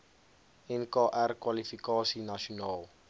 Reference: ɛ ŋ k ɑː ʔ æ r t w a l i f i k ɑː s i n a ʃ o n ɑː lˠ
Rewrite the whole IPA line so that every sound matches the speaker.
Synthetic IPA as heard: ɛ n k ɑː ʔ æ r k w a l i f i k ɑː s i n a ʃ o n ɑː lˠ

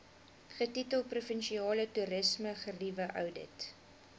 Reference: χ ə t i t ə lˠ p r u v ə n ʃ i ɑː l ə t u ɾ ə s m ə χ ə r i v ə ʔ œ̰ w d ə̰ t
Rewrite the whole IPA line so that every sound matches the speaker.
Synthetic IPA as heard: χ ə t i t ə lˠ p r u f ə n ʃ i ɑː l ə t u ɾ ə s m ə χ ə r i v ə ʔ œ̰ w d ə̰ t

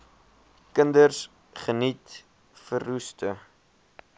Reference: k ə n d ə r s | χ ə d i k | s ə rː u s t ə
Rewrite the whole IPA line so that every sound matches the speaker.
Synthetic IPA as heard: k ə n d ə r s | χ ə n i t | f ə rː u s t ə

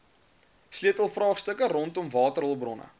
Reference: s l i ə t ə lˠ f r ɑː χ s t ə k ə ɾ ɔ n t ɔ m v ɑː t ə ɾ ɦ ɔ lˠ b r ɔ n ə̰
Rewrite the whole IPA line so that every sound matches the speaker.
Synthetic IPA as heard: s l i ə t ə lˠ f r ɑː χ s t ə k ə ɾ ɔ n t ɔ m v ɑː t ə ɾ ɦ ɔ lˠ b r ɔ n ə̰

